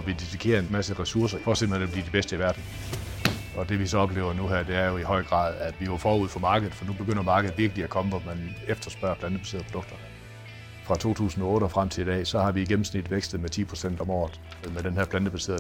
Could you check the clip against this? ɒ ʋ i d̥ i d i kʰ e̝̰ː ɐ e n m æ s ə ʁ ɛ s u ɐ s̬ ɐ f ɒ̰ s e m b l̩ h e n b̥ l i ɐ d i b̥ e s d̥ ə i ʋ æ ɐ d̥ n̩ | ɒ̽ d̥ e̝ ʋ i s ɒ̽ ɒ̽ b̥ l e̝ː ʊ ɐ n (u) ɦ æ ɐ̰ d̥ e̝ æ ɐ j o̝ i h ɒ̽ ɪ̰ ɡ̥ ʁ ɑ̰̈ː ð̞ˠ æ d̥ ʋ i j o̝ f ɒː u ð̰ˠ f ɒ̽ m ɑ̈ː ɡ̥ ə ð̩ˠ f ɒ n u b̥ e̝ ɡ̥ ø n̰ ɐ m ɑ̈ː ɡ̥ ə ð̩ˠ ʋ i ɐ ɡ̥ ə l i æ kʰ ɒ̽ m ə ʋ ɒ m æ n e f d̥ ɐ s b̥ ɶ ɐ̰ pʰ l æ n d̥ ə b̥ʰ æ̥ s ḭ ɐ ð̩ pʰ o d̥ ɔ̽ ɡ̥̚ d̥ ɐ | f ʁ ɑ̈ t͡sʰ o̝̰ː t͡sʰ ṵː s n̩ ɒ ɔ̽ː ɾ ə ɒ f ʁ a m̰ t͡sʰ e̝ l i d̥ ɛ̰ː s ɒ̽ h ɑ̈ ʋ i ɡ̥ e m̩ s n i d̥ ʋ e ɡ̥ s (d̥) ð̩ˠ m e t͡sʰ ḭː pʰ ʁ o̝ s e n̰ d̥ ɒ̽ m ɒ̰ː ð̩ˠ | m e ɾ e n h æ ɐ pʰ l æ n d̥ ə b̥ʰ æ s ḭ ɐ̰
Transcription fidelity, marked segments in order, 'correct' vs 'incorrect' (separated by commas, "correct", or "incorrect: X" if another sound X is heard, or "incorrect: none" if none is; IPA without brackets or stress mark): correct, correct